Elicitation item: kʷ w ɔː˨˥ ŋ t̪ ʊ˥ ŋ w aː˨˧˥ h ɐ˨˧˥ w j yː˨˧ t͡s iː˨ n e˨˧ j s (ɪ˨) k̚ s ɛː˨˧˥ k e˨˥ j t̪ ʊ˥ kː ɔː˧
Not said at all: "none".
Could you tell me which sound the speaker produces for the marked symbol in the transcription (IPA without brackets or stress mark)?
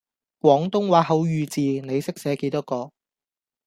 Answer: ɪ˥